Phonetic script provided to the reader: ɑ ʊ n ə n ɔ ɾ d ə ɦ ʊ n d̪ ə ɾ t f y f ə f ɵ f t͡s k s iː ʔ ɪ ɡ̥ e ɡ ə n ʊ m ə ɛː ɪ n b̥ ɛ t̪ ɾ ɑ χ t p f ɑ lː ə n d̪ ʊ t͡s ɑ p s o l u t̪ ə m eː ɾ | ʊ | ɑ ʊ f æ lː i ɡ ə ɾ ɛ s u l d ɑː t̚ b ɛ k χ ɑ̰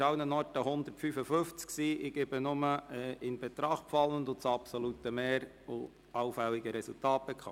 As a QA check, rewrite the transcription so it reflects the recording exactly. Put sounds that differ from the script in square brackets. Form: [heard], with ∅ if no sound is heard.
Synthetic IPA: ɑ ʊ n ə n ɔ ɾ [t] ə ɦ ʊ n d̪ ə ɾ t f y f ə f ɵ f t͡s k s iː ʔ ɪ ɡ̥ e [b] ə n ʊ m ə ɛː ɪ n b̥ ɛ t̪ ɾ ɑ χ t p f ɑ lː ə n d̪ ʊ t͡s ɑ p s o l u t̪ ə m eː ɾ | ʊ | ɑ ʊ f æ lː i ɡ ə ɾ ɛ s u l [t] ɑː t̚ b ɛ k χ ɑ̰